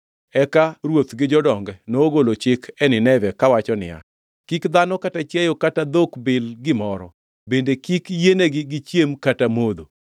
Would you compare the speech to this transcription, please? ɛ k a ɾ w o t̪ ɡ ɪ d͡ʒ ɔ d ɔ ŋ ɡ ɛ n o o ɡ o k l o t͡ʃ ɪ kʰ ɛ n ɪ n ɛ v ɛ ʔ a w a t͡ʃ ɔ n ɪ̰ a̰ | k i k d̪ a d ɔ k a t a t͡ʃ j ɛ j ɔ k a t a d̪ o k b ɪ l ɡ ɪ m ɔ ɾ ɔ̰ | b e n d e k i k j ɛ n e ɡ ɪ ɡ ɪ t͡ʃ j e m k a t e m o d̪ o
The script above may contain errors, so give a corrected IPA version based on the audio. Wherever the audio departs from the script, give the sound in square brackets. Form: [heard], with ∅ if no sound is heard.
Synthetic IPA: ɛ k a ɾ w o t̪ ɡ ɪ d͡ʒ ɔ d ɔ ŋ ɡ ɛ n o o ɡ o [∅] l o t͡ʃ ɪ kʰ ɛ n ɪ n ɛ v ɛ [k] a w a t͡ʃ ɔ n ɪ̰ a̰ | k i k d̪ a [n] ɔ k a t a t͡ʃ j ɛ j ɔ k a t a d̪ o k b ɪ l ɡ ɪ m ɔ ɾ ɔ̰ | b e n d e k i k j [e] n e ɡ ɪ ɡ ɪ t͡ʃ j e m k a t [a] m o d̪ o